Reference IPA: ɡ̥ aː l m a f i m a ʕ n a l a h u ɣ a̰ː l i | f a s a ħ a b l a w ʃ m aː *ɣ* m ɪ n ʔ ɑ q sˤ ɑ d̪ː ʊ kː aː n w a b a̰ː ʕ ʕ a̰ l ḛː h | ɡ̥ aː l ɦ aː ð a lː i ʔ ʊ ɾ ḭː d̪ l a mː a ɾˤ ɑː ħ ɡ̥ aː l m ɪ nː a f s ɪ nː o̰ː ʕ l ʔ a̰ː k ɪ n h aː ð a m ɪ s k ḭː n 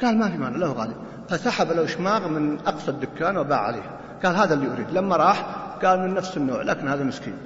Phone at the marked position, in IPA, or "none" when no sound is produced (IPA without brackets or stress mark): ɣ